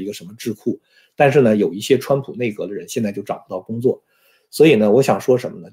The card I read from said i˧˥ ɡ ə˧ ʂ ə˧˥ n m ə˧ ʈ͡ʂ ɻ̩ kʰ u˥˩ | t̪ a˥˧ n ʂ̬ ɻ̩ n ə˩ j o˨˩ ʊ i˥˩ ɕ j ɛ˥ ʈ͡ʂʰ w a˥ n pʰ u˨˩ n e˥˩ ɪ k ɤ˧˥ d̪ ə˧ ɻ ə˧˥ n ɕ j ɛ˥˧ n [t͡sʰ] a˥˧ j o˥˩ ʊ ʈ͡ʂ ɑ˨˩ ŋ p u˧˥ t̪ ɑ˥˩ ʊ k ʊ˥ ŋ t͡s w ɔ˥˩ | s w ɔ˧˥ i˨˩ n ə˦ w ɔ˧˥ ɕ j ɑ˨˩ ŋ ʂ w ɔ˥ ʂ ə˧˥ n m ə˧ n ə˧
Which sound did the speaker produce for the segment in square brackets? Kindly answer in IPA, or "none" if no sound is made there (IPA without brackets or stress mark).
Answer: t͡s